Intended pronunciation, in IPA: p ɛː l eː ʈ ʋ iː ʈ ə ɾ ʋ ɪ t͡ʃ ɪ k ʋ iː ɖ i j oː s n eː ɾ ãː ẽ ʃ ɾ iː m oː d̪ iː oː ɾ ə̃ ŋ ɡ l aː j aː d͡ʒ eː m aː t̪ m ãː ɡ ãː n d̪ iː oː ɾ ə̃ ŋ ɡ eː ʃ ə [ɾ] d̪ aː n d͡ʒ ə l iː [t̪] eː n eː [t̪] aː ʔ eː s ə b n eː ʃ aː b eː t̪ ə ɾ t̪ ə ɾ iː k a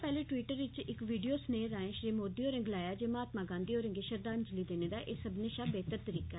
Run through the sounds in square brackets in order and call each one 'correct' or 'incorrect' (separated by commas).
correct, incorrect, incorrect